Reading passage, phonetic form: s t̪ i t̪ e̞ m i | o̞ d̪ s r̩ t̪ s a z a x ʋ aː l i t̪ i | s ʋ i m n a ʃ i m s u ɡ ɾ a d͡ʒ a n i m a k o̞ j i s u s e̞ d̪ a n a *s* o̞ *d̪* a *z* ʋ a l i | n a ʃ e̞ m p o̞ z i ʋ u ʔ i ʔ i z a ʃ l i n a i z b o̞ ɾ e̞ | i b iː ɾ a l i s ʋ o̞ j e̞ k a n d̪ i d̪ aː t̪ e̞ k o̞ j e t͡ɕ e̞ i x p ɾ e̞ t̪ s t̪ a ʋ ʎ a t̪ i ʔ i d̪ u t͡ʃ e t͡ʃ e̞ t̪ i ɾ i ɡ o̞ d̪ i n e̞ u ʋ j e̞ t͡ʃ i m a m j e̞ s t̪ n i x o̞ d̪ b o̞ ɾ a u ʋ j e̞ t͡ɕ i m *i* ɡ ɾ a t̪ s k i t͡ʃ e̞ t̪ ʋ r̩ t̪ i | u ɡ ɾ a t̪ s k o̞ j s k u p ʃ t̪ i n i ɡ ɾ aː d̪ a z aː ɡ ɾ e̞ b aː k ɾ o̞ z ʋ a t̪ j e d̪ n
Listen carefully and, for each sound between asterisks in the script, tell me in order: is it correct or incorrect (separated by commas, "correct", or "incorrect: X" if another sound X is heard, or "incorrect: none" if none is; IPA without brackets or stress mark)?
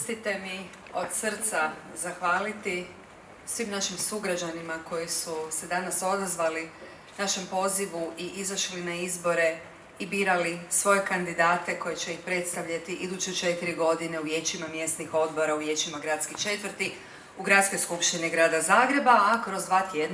correct, correct, correct, incorrect: a